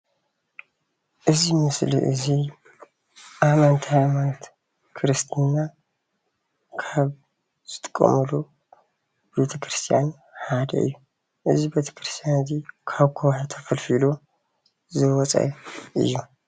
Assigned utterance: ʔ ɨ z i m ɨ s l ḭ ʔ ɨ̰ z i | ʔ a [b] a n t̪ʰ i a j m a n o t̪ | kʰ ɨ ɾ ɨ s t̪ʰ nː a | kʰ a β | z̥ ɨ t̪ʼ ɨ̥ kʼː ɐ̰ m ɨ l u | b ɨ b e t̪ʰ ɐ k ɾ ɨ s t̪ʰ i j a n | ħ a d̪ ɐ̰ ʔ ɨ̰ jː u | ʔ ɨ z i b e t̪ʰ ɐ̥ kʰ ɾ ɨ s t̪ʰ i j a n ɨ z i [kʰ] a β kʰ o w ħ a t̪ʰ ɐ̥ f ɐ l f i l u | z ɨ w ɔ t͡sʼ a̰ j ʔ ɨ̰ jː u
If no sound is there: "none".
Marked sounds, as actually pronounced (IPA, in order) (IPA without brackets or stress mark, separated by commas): m, kʰ